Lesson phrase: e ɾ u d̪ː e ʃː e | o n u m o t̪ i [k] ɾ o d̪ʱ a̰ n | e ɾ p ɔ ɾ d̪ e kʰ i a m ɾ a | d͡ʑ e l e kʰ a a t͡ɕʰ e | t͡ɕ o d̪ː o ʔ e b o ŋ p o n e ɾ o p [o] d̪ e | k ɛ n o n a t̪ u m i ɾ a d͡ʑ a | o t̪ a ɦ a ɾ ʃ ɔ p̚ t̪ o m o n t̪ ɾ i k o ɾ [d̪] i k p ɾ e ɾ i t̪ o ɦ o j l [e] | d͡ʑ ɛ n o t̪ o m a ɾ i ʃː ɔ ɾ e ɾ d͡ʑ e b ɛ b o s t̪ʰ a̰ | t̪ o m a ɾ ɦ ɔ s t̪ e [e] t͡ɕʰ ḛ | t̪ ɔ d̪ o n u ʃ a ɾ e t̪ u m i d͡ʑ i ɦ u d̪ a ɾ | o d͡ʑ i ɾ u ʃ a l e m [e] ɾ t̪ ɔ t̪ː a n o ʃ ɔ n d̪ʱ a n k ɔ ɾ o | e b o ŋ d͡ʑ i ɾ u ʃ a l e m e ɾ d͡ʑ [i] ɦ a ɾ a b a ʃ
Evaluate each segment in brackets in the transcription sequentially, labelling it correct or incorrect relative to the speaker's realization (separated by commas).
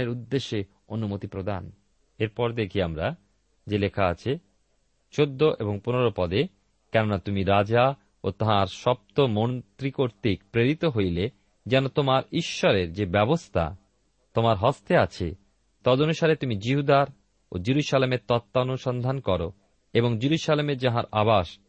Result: incorrect, incorrect, incorrect, correct, incorrect, correct, incorrect